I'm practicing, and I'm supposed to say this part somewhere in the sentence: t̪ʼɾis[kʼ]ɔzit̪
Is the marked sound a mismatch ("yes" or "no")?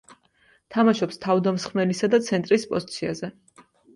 yes